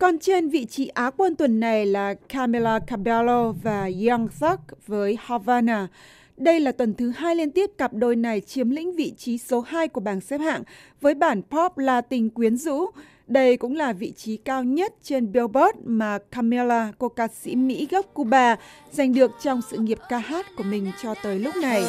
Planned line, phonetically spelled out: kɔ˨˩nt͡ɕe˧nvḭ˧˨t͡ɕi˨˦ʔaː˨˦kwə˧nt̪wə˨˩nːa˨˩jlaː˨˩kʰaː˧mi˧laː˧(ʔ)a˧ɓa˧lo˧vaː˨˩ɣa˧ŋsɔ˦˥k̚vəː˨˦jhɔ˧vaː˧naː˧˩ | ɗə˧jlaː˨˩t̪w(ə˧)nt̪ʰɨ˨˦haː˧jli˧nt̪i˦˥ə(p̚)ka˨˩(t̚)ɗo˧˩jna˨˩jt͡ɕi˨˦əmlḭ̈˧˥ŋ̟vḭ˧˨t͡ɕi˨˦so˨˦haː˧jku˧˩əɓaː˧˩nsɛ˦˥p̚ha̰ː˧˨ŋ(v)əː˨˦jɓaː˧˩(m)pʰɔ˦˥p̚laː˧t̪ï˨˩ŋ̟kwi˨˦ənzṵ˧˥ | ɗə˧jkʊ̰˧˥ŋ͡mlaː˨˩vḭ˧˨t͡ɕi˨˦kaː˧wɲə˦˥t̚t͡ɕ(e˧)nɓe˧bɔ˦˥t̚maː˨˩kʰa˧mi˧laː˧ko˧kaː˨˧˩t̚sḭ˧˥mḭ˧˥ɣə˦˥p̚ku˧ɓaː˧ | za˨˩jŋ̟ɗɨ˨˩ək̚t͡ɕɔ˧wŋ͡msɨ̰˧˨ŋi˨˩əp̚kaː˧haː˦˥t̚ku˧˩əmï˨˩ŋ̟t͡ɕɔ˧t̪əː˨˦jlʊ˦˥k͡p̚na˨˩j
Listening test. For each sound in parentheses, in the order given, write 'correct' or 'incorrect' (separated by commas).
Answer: incorrect, incorrect, correct, incorrect, correct, incorrect, correct